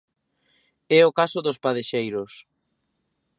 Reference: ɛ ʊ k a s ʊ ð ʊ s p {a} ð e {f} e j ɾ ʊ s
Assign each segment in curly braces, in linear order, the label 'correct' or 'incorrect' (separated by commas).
correct, incorrect